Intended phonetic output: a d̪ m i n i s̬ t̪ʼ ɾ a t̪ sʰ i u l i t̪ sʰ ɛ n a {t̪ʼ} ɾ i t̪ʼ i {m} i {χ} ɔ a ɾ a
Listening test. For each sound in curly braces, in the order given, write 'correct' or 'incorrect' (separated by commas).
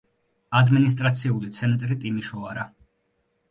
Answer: correct, correct, incorrect